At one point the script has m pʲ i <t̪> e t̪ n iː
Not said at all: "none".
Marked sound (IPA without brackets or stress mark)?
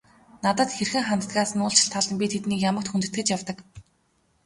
t̪ʰ